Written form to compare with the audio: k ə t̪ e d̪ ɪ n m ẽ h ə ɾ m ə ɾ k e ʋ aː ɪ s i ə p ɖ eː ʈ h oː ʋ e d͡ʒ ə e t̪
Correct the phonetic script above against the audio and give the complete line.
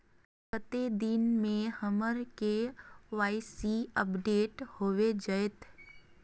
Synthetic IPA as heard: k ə t̪ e d̪ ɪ n m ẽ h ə m ə ɾ k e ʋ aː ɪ s i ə p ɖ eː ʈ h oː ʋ e d͡ʒ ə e t̪